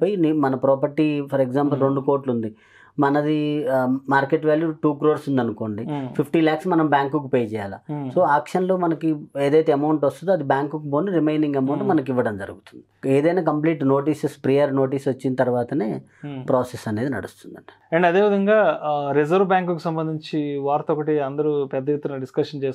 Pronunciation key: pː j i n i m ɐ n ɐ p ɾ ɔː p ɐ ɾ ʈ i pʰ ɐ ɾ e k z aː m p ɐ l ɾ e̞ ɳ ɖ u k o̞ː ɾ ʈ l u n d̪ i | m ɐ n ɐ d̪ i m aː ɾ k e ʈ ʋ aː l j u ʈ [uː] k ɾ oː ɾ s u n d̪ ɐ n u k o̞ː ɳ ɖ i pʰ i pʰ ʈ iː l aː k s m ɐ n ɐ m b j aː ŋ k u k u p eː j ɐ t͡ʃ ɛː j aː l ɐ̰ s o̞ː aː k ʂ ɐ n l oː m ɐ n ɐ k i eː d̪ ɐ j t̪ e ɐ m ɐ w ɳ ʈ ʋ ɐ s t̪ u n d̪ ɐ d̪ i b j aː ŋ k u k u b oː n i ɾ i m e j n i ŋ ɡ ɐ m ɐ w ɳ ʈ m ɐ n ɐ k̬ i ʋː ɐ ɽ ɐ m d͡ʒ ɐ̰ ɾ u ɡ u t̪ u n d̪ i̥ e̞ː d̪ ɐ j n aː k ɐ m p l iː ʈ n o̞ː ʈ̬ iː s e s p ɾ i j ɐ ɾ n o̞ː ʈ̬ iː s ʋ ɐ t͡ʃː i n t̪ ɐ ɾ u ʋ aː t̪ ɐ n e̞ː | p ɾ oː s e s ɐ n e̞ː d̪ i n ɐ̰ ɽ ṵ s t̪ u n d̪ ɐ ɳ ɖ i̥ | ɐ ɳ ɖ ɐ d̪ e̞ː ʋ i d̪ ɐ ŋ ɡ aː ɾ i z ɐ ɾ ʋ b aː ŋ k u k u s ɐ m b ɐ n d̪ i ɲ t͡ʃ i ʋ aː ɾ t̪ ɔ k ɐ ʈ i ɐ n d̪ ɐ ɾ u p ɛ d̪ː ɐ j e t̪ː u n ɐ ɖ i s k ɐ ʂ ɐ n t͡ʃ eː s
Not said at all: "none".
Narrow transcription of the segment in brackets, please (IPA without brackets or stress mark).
uː